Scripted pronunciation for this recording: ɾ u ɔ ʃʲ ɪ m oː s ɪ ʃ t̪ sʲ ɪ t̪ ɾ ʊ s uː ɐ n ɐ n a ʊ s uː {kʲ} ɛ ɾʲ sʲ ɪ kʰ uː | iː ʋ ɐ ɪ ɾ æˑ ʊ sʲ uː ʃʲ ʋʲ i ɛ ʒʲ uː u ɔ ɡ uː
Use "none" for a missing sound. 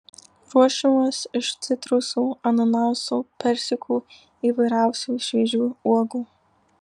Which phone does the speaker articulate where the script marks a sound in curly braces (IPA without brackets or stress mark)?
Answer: pʲ